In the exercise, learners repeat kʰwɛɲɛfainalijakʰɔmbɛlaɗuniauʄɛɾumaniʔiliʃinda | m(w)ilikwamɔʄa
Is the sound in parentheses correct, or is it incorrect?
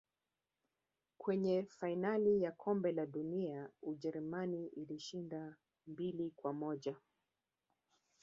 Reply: incorrect